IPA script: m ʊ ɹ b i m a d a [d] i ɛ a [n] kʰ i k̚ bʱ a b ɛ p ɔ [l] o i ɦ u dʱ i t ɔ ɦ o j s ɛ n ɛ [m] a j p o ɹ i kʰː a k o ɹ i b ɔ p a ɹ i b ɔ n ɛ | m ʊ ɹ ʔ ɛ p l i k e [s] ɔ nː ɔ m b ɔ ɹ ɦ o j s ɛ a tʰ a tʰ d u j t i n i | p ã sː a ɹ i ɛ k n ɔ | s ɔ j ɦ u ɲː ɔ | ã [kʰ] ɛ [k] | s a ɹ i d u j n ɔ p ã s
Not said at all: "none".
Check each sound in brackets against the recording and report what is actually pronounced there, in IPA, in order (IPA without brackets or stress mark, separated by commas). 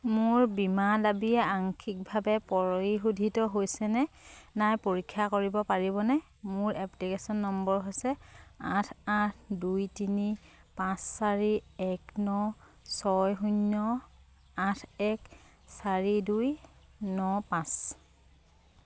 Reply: b, ŋ, ɹ, n, s, tʰ, k